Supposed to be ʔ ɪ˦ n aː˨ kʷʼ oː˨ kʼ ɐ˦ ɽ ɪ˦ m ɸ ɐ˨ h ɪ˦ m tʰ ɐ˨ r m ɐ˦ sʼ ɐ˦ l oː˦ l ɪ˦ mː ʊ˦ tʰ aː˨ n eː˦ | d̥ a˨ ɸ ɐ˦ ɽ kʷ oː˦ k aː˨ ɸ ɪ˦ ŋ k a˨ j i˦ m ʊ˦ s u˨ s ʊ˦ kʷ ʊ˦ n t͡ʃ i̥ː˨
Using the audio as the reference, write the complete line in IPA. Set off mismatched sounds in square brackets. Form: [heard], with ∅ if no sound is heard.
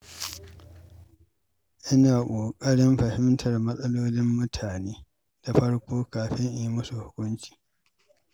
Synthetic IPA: ʔ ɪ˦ n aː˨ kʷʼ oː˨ kʼ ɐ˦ ɽ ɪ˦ m ɸ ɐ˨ h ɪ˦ m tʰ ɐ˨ r m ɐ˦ sʼ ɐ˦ l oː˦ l ɪ˦ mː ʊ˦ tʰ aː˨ n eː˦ | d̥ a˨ ɸ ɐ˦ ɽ kʷ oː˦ k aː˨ ɸ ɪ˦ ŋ [ʔ] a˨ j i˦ m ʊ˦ s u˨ [h] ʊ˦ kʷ ʊ˦ n t͡ʃ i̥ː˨